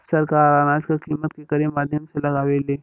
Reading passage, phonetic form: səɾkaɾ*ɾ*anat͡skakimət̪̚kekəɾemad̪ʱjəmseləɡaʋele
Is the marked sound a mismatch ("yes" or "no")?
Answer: no